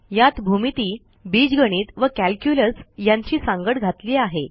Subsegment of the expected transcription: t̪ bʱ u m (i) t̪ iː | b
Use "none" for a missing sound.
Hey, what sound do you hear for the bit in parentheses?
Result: i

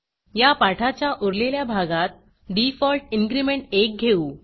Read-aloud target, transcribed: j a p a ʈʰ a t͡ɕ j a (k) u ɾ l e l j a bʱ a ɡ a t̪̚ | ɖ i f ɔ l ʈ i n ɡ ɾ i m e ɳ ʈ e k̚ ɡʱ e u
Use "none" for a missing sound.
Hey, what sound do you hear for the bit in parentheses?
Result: ʔ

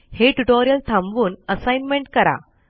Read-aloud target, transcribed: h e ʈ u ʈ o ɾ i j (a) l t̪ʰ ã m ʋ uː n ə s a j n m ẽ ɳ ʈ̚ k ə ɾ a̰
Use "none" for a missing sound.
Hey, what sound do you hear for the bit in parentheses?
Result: ə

